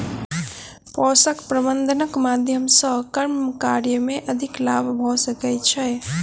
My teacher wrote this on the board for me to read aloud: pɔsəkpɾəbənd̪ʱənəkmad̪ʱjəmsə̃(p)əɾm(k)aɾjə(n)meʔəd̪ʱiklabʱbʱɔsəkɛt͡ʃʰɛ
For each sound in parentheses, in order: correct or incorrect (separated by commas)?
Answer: incorrect, correct, incorrect